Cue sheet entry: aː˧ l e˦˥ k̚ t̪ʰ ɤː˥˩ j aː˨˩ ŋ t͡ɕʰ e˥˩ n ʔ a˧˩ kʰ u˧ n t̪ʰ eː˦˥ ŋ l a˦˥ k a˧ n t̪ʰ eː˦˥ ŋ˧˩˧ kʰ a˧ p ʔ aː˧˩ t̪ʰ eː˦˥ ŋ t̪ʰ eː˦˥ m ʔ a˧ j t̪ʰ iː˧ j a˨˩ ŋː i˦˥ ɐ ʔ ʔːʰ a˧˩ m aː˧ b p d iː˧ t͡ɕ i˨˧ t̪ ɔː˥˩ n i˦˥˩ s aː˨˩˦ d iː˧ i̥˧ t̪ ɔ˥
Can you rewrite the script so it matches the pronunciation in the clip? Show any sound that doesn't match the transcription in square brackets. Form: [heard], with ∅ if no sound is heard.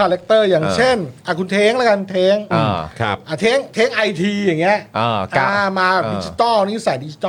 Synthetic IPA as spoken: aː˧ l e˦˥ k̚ [t̪] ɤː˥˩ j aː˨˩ ŋ t͡ɕʰ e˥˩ n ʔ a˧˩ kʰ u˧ n t̪ʰ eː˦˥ ŋ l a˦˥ k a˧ n t̪ʰ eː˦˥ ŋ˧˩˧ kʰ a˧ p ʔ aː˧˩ t̪ʰ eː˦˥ ŋ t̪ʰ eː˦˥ [ŋ] ʔ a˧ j t̪ʰ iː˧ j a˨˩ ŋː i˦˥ ɐ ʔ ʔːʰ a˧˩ m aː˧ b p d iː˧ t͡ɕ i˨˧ t̪ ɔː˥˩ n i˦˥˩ s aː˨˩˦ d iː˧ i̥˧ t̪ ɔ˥